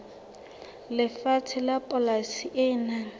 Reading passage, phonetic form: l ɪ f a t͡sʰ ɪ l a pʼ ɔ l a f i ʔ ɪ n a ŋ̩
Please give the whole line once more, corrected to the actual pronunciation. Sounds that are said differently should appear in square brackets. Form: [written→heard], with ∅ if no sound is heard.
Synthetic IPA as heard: l ɪ f a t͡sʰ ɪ l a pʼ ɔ l a [f→s] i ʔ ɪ n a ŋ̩